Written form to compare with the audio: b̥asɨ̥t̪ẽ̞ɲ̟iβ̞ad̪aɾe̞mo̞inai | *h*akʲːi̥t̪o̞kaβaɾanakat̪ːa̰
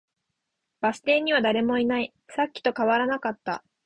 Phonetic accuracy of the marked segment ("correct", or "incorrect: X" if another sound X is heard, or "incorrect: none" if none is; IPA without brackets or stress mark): incorrect: s